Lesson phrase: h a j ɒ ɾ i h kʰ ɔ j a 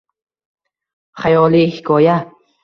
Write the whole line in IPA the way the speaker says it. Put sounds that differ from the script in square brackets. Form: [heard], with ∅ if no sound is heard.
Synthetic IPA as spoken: [χ] a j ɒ [l] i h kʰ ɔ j a